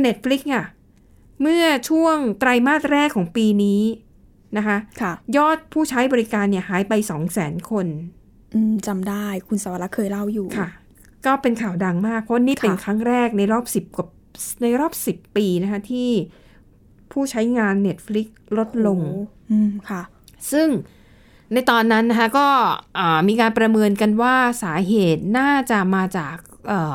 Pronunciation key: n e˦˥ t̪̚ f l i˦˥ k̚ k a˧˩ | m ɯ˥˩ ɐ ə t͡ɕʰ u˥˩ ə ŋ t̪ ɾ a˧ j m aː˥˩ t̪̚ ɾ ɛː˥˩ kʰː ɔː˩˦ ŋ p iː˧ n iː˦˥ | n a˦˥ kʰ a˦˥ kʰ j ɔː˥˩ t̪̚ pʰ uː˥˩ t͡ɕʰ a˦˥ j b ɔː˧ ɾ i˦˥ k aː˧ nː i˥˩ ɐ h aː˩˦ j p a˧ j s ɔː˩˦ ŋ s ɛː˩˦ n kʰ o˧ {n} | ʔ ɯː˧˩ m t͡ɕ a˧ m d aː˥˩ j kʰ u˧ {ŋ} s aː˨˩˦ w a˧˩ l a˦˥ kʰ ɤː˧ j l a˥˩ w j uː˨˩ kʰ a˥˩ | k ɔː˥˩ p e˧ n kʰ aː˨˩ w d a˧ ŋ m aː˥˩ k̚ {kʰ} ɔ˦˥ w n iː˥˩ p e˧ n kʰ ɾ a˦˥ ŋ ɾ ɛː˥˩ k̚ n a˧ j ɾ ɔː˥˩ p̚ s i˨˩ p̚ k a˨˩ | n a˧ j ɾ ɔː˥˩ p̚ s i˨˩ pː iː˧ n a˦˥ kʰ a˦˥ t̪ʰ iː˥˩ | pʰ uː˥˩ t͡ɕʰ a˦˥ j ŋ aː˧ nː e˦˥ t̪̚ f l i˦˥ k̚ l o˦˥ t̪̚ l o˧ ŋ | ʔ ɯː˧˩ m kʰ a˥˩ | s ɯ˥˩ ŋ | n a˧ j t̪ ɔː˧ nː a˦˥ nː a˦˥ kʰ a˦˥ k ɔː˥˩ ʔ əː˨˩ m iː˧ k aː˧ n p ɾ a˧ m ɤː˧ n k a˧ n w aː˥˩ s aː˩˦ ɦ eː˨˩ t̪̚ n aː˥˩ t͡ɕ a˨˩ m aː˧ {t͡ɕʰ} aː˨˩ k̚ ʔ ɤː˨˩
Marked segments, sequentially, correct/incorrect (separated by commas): correct, incorrect, incorrect, incorrect